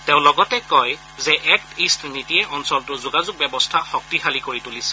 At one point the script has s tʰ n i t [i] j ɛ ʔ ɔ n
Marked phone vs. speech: correct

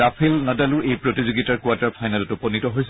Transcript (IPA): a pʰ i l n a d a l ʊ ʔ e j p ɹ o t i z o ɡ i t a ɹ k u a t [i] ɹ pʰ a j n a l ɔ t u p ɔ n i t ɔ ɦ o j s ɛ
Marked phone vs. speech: incorrect: a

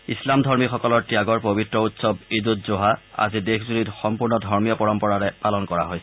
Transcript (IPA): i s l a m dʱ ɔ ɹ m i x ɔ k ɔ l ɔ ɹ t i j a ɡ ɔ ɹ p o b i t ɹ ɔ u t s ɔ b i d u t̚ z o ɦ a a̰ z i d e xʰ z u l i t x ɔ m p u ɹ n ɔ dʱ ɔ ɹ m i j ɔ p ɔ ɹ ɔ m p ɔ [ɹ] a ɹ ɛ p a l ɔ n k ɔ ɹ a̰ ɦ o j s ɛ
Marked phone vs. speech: correct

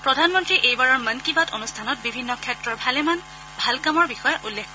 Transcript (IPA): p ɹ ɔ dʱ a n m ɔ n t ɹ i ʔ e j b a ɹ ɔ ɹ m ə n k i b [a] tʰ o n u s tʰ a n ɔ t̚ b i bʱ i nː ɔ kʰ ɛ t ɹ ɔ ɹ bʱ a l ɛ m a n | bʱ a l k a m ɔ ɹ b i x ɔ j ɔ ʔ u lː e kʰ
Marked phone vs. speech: correct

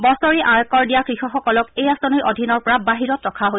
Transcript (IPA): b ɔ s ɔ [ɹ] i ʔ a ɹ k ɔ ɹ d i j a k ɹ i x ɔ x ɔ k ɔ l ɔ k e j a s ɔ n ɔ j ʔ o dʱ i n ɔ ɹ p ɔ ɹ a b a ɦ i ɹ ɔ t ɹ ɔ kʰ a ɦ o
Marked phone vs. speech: correct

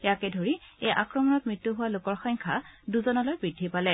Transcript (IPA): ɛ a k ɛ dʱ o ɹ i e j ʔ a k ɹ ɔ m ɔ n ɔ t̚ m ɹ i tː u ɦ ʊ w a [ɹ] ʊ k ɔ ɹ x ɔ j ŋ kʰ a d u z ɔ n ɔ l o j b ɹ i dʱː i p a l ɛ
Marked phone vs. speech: incorrect: l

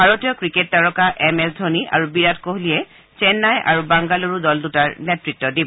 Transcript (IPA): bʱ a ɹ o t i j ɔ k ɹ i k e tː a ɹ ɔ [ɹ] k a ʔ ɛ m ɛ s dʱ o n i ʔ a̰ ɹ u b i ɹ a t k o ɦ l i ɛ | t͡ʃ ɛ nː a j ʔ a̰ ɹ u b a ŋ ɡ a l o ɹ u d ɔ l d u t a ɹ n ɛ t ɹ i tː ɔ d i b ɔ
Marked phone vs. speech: incorrect: none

